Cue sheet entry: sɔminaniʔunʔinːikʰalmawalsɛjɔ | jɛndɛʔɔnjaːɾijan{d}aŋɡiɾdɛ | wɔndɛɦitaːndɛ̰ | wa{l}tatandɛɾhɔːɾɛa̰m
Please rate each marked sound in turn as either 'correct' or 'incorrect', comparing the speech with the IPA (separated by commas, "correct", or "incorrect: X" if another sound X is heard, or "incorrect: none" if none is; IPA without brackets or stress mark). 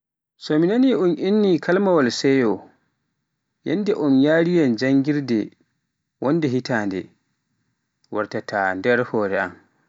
incorrect: d͡ʒ, incorrect: ɾ